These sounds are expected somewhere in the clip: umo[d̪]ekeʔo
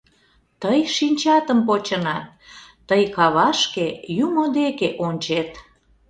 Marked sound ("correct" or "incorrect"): correct